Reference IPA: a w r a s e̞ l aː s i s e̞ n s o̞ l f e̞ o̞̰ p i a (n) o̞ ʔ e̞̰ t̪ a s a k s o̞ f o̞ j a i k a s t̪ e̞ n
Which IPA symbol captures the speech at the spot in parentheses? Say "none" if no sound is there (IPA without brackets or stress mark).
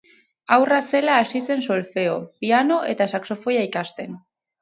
n